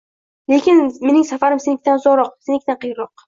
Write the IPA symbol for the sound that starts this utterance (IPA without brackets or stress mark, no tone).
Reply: l